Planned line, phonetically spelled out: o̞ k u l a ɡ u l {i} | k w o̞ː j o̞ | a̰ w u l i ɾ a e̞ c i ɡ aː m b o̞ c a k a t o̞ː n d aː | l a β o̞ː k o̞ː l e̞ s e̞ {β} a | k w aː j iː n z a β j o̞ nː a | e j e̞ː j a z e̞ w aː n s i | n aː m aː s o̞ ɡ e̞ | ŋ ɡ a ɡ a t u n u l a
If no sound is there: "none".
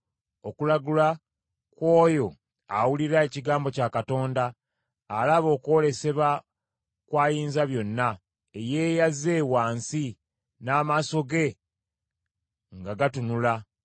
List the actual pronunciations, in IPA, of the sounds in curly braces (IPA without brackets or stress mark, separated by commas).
a, β